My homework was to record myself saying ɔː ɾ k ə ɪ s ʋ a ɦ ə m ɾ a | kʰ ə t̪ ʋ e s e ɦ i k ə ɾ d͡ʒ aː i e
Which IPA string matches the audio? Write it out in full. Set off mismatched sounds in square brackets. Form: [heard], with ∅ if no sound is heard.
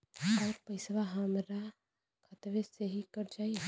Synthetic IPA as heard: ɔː ɾ [p] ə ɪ s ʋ a ɦ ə m ɾ a | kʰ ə t̪ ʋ e s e ɦ i k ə ɾ d͡ʒ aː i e